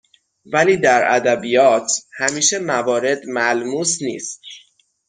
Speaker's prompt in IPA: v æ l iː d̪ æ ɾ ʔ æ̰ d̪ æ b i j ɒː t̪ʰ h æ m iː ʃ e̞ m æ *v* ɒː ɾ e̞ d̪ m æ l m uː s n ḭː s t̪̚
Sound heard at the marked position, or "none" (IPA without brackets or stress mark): v